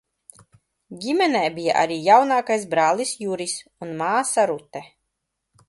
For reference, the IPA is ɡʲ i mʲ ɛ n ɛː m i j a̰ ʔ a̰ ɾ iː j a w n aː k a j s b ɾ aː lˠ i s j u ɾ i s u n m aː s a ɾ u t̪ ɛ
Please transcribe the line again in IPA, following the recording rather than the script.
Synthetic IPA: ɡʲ i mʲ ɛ n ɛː b i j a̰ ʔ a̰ ɾ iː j a w n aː k a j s b ɾ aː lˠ i s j u ɾ i s u n m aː s a ɾ u t̪ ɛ